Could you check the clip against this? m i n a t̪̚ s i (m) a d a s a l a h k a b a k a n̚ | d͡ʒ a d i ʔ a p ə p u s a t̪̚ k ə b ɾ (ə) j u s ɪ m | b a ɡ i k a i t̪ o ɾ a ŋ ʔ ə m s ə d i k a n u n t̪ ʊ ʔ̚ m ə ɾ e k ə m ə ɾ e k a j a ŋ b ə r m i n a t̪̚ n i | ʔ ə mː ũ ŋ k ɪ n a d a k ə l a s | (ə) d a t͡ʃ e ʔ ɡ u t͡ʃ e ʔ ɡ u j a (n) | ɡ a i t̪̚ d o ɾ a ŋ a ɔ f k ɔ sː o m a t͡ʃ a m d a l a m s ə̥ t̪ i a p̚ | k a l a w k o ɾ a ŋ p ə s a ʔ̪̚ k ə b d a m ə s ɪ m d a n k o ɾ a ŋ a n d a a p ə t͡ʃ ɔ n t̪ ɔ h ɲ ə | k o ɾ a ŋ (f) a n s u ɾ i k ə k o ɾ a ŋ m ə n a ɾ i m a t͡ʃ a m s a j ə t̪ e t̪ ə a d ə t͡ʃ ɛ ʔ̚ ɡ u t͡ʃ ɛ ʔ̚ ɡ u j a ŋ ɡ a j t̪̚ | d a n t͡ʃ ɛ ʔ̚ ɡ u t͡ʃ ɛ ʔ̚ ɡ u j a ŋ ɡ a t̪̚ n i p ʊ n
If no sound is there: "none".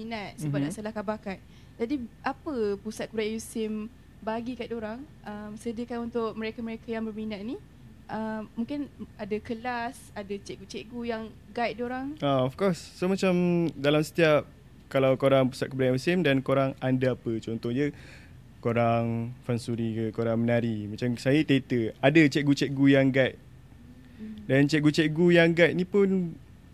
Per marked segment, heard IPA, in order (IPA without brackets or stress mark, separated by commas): b, a, a, ŋ, f